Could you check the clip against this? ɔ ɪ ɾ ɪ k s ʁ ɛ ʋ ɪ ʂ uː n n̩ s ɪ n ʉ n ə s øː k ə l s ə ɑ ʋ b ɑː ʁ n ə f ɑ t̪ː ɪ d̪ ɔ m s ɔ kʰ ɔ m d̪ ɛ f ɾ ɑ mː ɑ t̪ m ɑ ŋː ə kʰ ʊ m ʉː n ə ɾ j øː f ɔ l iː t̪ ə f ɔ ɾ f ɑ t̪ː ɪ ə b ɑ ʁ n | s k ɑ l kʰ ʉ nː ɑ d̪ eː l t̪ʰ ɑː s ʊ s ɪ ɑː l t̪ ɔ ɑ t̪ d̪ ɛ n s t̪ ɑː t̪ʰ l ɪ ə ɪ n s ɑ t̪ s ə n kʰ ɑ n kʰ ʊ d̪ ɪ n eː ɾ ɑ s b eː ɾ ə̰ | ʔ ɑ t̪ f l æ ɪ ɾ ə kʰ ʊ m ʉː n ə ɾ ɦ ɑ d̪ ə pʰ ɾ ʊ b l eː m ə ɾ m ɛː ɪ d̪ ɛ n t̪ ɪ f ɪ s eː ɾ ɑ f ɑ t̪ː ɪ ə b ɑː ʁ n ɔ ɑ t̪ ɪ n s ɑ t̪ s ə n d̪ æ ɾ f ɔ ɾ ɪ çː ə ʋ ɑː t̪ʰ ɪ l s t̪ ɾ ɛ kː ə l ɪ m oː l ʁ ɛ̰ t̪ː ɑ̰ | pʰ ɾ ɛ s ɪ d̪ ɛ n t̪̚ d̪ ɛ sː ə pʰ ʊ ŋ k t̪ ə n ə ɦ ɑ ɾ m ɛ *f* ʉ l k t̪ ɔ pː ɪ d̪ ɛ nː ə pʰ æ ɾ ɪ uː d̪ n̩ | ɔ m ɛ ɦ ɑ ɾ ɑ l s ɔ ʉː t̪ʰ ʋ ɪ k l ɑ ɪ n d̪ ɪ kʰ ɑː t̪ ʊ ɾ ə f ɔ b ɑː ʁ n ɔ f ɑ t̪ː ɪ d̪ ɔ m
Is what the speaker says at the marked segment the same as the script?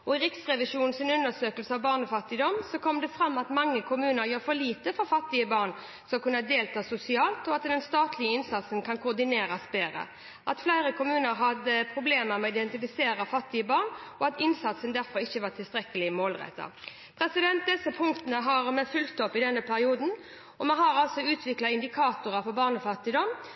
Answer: yes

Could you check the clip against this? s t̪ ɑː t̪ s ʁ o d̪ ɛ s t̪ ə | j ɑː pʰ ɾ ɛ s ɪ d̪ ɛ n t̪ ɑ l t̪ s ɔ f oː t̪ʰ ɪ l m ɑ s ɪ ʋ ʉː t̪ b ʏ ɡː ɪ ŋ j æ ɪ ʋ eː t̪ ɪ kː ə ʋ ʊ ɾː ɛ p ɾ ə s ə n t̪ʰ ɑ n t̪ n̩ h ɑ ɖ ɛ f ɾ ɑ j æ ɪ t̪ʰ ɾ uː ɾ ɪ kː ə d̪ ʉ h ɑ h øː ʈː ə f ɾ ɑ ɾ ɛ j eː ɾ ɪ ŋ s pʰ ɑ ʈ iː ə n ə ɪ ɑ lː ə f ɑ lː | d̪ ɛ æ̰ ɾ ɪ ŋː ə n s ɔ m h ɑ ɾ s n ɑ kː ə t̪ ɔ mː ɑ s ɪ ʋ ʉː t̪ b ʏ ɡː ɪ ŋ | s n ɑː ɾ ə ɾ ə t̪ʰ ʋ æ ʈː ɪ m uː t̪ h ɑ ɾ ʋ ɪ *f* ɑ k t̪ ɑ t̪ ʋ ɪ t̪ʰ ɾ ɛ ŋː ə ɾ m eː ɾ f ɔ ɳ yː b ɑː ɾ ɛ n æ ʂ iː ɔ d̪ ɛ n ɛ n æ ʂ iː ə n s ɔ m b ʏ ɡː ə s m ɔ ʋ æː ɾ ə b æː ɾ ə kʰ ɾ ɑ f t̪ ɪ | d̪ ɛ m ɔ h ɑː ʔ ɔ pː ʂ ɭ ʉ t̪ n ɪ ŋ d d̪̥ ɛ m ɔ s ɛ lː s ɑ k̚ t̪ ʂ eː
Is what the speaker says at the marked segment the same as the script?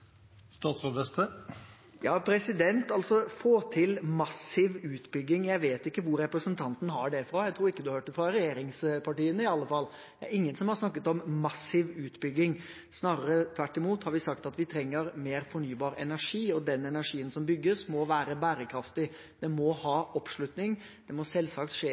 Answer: no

